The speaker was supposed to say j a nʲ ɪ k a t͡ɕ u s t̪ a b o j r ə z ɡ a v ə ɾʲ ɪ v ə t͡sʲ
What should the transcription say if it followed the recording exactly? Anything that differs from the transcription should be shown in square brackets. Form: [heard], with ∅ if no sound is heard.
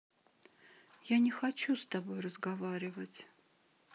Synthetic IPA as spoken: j a nʲ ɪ [x] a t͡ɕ u s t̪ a b o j r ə z ɡ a v [a] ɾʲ ɪ v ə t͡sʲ